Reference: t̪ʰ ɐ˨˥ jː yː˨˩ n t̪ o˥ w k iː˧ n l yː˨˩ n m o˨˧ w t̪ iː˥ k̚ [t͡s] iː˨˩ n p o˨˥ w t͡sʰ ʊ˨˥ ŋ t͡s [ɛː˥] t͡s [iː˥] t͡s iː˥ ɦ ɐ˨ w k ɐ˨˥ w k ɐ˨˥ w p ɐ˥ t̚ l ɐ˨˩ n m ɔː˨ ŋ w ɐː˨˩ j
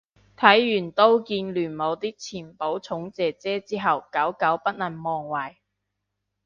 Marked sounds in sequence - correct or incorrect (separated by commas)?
incorrect, incorrect, incorrect